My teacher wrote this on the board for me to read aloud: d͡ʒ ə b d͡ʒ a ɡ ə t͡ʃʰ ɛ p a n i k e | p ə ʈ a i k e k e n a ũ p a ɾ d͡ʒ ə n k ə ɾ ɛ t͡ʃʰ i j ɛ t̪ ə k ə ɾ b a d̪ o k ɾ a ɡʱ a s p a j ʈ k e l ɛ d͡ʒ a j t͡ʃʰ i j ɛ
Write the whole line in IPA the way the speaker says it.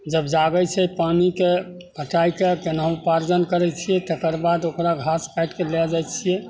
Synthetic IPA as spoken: d͡ʒ ə b d͡ʒ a ɡ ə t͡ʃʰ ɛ p a n i k e | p ə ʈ a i k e k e n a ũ p a ɾ d͡ʒ ə n k ə ɾ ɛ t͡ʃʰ i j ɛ t̪ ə k ə ɾ b a d̪ o k ɾ a ɡʱ a s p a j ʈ k e l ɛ d͡ʒ a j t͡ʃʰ i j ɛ